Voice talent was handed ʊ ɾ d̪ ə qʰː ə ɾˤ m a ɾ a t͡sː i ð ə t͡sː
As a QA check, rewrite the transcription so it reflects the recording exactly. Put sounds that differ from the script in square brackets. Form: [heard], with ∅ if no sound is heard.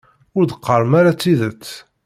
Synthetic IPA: ʊ ɾ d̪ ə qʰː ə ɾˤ m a ɾ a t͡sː i ð ə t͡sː